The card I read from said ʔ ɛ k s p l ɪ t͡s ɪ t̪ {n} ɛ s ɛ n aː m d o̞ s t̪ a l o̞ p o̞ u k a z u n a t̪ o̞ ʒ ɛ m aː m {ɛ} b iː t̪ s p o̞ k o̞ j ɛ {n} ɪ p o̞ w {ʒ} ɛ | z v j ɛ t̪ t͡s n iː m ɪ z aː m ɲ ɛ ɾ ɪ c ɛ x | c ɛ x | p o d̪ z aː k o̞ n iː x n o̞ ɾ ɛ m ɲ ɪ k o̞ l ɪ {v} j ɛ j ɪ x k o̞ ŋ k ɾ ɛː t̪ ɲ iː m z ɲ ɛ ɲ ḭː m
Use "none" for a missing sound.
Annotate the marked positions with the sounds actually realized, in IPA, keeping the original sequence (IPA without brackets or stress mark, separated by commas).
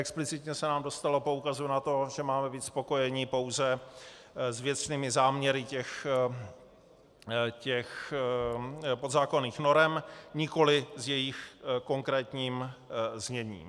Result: ɲ, ɛ, ɲ, z, z